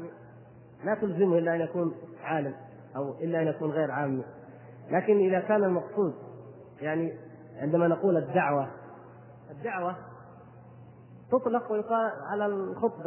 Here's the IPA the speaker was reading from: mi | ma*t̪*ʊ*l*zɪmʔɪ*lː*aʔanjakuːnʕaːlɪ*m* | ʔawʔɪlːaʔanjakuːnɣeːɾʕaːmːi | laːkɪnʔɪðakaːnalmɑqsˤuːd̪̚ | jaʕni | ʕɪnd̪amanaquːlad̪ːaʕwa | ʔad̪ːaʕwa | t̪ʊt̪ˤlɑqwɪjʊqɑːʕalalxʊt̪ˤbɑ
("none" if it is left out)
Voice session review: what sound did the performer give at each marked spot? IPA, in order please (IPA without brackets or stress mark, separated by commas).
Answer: t̪, l, lː, m